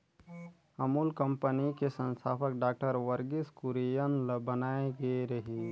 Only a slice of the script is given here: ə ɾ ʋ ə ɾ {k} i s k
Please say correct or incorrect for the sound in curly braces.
incorrect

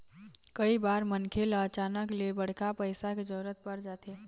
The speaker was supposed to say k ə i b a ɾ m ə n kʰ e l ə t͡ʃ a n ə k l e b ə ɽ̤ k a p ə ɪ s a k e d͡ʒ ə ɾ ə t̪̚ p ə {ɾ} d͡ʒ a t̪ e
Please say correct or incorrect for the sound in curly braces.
correct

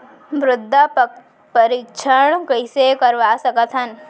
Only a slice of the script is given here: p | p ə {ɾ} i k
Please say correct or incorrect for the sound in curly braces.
correct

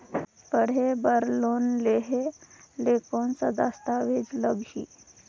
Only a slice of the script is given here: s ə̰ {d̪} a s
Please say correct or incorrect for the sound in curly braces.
correct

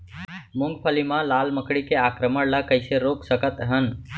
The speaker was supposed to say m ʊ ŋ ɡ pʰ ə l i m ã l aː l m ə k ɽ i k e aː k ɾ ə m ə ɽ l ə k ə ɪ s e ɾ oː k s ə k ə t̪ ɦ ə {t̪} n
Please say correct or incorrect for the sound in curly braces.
incorrect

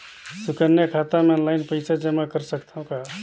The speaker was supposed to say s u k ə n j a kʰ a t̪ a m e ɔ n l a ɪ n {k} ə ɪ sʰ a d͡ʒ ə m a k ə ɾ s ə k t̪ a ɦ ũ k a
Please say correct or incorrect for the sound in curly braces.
incorrect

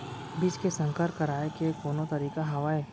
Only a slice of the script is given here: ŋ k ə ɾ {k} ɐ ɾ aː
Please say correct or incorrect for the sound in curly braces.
correct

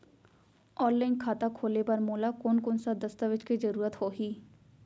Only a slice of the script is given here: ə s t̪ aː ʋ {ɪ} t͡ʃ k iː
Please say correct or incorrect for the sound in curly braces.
correct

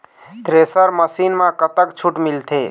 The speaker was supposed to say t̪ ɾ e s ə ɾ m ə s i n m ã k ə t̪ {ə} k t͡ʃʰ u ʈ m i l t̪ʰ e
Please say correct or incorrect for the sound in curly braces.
correct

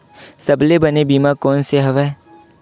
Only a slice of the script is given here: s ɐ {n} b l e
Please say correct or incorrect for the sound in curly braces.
incorrect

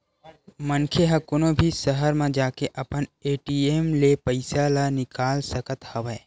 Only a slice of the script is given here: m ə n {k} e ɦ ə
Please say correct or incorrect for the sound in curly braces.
incorrect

